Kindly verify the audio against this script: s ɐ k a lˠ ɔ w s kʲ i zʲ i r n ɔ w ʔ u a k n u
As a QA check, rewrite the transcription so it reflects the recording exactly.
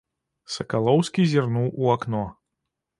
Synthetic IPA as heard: s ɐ k a lˠ ɔ w s kʲ i zʲ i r n u w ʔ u a k n ɔ

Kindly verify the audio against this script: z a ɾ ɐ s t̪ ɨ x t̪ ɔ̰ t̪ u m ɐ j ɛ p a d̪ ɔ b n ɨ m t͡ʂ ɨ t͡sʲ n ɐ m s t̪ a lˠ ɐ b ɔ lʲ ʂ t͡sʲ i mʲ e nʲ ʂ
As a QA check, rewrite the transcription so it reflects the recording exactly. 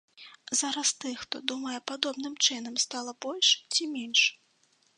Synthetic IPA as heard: z a ɾ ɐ s t̪ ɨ x t̪ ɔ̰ d̪ u m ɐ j ɛ p a d̪ ɔ b n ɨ m t͡ʂ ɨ n ɐ m s t̪ a lˠ ɐ b ɔ lʲ ʂ t͡sʲ i mʲ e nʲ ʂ

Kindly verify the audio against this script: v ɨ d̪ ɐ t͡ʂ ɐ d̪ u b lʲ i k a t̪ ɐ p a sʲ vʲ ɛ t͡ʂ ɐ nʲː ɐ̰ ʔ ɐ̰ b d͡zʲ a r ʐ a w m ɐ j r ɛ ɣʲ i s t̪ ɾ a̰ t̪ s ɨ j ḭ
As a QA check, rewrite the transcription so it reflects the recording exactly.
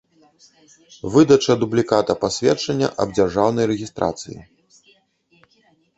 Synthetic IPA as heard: v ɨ d̪ ɐ t͡ʂ ɐ d̪ u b lʲ i k a t̪ ɐ p a sʲ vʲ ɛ t͡ʂ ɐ nʲː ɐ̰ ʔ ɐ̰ b d͡zʲ a r ʐ a w n ɐ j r ɛ ɣʲ i s t̪ ɾ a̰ t̪ s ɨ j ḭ

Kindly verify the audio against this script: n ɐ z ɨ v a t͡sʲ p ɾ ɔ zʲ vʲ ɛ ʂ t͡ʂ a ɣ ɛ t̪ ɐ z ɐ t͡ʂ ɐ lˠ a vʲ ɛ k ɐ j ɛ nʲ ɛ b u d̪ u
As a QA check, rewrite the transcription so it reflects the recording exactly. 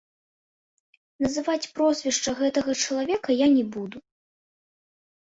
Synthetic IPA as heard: n ɐ z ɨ v a t͡sʲ p ɾ ɔ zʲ vʲ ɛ ʂ t͡ʂ ɐ ɣ ɛ t̪ ɐ ɣ ɐ t͡ʂ ɐ lˠ a vʲ ɛ k ɐ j a nʲ ɛ b u d̪ u

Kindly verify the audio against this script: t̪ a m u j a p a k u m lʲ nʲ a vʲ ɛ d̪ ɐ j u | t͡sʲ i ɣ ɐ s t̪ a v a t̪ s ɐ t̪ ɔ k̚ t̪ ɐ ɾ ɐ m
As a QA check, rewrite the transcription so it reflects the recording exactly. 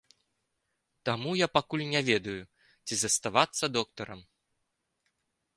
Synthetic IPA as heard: t̪ a m u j a p a k u lʲ nʲ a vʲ ɛ d̪ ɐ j u | t͡sʲ i z ɐ s t̪ a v a t̪ sː ɐ d̪ ɔ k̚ t̪ ɐ ɾ ɐ m

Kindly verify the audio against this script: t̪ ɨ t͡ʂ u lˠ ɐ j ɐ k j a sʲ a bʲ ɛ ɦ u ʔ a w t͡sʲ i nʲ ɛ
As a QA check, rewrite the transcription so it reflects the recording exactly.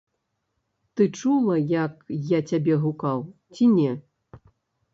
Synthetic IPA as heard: t̪ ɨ t͡ʂ u lˠ ɐ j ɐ k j a t͡sʲ a bʲ ɛ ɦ u k a w t͡sʲ i nʲ ɛ

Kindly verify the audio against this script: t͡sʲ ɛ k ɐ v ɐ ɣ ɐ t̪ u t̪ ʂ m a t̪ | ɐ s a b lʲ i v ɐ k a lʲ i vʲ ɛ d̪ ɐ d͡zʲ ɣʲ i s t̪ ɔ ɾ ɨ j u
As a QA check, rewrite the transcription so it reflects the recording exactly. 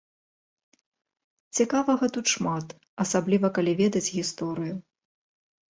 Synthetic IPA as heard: t͡sʲ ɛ k a v ɐ ɣ ɐ t̪ u t̪ ʂ m a t̪ | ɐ s a b lʲ i v ɐ k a lʲ i vʲ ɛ d̪ ɐ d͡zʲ ɣʲ i s t̪ ɔ ɾ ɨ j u

